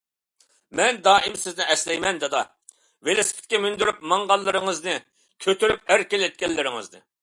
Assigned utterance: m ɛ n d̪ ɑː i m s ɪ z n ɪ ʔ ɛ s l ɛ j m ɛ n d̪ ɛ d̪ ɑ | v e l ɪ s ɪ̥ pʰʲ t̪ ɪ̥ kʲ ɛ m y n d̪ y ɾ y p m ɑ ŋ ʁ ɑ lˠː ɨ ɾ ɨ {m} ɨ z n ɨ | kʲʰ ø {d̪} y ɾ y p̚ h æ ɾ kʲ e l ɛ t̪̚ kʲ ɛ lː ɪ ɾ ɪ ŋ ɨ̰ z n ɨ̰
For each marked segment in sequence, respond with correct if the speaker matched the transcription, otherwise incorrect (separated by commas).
incorrect, incorrect